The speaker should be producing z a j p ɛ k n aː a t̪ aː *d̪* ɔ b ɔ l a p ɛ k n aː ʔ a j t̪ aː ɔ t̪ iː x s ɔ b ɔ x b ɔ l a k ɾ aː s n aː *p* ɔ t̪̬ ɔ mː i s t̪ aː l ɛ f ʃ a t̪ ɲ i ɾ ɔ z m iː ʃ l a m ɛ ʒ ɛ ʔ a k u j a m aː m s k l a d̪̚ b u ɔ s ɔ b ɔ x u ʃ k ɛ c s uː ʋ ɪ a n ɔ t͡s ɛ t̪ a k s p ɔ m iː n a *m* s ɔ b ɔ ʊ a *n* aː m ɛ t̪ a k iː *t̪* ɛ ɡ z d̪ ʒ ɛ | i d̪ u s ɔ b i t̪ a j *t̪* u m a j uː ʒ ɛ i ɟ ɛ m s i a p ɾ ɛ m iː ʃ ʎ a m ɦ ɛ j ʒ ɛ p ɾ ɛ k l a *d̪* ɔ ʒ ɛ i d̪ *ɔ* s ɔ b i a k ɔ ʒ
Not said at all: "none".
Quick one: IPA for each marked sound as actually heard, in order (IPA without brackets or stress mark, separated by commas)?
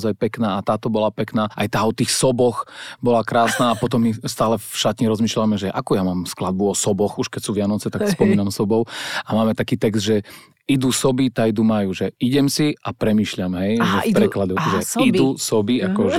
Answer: t̪, p, m, m, t̪, d̪, d̪, u